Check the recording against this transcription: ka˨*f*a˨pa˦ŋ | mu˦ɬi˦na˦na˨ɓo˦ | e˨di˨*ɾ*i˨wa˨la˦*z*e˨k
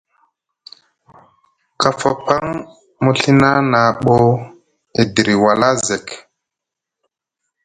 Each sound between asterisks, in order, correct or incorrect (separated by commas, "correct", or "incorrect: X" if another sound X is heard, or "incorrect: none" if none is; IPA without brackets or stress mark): correct, correct, correct